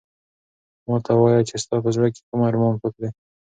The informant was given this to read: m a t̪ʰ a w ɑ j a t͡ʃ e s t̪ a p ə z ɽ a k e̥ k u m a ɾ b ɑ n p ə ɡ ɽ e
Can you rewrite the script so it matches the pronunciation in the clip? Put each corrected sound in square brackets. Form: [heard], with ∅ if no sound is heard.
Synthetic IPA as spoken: m [ɑ] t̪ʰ a w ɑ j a t͡ʃ e s t̪ [ɑ] p ə z ɽ a k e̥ k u m a ɾ [m] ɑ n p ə [k] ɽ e